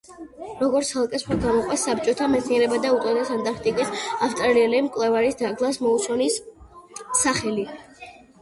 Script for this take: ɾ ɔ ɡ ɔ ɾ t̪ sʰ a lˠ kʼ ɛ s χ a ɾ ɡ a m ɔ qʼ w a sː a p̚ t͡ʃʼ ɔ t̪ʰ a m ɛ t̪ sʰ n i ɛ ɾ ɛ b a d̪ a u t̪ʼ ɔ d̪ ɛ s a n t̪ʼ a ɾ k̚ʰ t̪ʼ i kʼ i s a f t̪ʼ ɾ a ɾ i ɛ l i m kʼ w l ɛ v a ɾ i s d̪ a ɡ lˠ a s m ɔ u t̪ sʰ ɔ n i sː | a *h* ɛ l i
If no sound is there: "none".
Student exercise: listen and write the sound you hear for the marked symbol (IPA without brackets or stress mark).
χ